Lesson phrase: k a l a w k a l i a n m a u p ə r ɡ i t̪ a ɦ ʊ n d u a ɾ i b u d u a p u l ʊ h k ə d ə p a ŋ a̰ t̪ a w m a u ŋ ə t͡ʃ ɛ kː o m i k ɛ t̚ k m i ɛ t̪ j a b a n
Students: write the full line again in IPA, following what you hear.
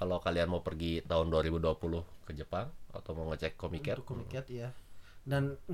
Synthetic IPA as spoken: k a l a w k a l i a n m a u p ə r ɡ i t̪ a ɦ ʊ n d u a ɾ i b u d u a p u l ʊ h k ə d͡ʒ ə p a ŋ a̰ t̪ a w m a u ŋ ə t͡ʃ ɛ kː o m i k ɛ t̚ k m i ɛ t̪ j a d a n